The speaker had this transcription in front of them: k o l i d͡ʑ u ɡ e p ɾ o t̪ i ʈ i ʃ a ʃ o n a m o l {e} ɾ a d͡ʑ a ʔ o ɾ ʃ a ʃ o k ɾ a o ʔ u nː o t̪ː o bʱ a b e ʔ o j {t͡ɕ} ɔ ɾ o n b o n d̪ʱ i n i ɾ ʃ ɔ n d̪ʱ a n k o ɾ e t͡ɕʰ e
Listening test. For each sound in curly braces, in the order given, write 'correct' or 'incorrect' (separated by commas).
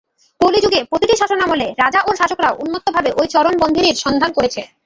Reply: correct, correct